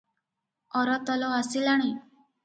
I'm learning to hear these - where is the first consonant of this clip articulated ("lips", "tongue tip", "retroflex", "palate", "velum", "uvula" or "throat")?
tongue tip